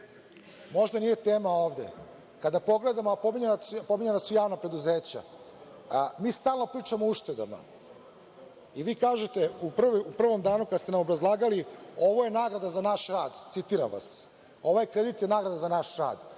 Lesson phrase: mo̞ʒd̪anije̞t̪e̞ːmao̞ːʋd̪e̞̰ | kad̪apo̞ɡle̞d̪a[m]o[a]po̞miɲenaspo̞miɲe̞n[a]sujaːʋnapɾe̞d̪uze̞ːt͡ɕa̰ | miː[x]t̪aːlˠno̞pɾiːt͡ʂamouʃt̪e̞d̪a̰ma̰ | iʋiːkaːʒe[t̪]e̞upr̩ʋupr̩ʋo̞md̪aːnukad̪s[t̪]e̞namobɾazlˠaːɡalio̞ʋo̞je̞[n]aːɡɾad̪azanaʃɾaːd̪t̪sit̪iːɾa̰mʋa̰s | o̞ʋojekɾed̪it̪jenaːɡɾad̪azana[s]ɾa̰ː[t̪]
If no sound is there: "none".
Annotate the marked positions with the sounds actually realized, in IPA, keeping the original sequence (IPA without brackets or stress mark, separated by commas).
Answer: m, a, a, s, t̪, t̪, n, ʃ, d̪